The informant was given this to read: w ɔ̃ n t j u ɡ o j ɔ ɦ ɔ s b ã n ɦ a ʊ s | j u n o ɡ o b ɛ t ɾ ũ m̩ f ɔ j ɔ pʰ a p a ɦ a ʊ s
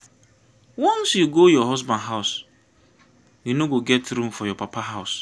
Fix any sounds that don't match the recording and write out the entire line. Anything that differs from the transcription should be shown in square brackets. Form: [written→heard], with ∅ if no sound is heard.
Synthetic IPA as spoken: w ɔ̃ n [t→s] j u ɡ o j ɔ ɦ ɔ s b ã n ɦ a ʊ s | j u n o ɡ o [b→ɡ] ɛ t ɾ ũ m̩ f ɔ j ɔ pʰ a p a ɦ a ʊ s